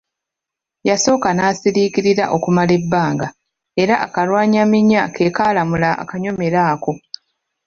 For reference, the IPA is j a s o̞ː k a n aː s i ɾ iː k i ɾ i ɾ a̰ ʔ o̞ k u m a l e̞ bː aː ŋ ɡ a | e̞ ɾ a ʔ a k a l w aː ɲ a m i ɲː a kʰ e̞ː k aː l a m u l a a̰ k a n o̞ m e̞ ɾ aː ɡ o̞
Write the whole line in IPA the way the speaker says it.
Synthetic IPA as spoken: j a s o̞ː k a n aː s i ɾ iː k i ɾ i ɾ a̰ ʔ o̞ k u m a l e̞ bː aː ŋ ɡ a | e̞ ɾ a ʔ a k a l w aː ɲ a m i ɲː a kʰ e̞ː k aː l a m u l a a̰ k a ɲ o̞ m e̞ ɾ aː k o̞